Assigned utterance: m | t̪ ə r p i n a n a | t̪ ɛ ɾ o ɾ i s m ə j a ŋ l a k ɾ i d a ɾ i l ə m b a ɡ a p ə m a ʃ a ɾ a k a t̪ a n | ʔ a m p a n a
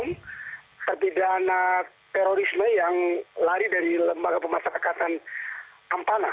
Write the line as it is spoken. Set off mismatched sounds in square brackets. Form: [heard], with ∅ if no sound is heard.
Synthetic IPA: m | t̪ ə r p i [d] a n a | t̪ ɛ ɾ o ɾ i s m ə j a ŋ l a [∅] ɾ i d a ɾ i l ə m b a ɡ a p ə m a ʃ a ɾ a k a t̪ a n | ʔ a m p a n a